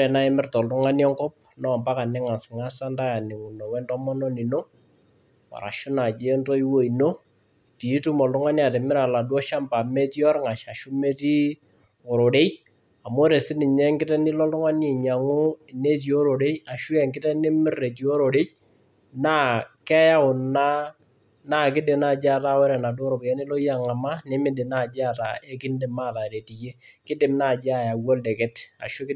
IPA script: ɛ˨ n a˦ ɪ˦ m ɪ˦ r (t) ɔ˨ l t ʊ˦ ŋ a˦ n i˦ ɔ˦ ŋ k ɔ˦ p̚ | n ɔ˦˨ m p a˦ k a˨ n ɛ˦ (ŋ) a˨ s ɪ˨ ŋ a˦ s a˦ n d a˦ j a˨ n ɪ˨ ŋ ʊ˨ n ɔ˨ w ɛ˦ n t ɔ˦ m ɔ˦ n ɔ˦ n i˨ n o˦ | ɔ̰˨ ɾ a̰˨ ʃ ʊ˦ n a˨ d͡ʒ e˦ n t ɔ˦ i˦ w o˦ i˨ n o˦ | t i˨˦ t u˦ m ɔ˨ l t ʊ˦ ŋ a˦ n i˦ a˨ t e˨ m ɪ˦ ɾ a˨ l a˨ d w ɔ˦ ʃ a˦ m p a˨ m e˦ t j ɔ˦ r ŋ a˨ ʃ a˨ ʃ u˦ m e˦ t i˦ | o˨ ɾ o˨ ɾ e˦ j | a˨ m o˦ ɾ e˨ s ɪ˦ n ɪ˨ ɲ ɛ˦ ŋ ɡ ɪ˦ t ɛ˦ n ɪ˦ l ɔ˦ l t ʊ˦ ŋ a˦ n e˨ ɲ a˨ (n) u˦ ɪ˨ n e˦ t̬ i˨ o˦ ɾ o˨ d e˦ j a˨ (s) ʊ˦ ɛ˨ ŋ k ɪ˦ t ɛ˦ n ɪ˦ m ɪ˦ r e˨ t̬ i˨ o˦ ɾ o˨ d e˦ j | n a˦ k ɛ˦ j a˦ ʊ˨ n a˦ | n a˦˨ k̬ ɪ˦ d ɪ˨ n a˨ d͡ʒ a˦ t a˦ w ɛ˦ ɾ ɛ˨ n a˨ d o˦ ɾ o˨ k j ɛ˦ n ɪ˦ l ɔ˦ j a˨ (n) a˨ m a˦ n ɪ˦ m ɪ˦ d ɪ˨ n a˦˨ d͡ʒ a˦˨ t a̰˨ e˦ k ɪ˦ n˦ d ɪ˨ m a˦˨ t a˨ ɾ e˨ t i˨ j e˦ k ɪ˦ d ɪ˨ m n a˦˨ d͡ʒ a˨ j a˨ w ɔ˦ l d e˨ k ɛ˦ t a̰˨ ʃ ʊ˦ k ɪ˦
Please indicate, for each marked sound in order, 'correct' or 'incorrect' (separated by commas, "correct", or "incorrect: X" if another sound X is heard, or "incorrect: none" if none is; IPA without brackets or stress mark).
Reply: correct, correct, incorrect: ŋ, incorrect: ʃ, incorrect: ŋ